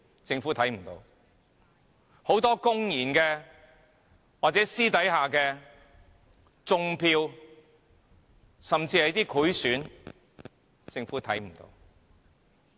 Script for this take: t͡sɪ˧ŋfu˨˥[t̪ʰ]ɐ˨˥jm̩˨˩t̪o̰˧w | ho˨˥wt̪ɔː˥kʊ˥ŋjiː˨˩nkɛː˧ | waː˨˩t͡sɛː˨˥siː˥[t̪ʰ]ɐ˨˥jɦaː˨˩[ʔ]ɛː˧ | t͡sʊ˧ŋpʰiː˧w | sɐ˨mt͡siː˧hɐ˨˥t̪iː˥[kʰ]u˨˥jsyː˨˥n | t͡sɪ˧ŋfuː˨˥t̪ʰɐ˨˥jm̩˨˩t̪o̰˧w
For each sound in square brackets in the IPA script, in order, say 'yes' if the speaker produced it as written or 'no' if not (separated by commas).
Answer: yes, no, no, yes